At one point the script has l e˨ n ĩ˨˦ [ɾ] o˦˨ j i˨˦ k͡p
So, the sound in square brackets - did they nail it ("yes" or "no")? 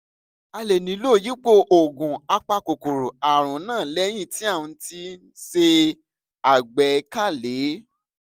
no